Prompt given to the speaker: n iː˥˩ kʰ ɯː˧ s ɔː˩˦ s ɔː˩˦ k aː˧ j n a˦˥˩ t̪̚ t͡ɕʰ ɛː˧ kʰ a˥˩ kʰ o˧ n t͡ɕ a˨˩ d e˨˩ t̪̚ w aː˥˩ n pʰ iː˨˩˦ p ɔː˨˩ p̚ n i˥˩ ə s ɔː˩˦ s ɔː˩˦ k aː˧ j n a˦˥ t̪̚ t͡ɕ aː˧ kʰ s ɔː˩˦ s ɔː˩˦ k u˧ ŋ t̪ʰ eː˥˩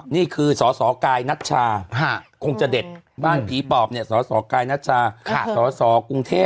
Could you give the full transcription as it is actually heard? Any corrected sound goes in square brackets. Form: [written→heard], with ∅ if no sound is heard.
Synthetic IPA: n iː˥˩ kʰ ɯː˧ s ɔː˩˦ s ɔː˩˦ k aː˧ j n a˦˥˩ t̪̚ t͡ɕʰ [ɛː˧→aː˧] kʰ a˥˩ kʰ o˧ [n→ŋ] t͡ɕ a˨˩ d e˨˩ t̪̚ [w→b] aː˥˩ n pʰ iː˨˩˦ p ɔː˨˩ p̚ n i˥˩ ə s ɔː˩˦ s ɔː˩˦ k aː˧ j n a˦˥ t̪̚ [t͡ɕ→t͡ɕʰ] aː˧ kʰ s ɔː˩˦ s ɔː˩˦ k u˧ ŋ t̪ʰ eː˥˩